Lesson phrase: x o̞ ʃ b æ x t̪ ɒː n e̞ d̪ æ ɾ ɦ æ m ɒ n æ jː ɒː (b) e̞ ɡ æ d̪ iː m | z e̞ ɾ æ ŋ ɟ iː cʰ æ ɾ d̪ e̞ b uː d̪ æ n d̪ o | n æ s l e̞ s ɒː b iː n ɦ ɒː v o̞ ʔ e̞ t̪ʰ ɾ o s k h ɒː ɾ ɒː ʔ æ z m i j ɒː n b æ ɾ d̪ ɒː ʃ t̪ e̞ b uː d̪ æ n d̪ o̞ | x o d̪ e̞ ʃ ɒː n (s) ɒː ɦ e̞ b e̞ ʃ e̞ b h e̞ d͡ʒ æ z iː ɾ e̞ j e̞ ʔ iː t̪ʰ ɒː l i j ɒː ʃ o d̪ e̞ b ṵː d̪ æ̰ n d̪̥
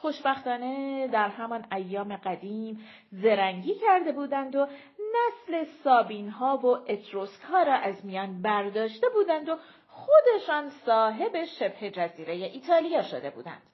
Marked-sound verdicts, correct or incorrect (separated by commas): incorrect, correct